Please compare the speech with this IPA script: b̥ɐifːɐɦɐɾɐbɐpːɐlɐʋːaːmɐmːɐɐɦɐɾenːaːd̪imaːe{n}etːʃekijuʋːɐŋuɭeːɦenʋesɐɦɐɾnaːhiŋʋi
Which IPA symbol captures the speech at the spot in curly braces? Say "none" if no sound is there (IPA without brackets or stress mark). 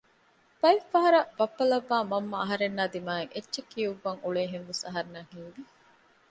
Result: ŋ